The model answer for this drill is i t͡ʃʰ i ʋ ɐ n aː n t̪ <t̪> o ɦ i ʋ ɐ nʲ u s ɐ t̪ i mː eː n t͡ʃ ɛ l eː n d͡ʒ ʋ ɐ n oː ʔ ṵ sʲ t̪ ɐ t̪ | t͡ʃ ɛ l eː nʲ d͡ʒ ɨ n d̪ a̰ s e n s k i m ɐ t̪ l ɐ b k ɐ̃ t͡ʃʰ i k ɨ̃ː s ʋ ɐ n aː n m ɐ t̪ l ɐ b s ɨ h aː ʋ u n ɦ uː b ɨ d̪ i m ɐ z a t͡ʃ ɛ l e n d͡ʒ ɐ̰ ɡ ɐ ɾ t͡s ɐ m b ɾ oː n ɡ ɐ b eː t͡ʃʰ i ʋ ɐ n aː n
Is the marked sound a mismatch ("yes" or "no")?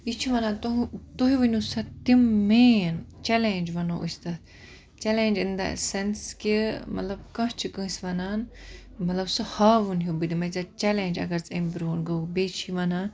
no